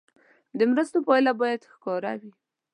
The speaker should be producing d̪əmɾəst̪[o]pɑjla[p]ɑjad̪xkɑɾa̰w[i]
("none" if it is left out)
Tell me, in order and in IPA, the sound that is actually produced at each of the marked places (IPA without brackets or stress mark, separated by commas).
o, b, i